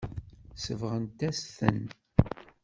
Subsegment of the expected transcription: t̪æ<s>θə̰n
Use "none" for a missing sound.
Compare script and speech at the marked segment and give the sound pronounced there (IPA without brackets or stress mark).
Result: s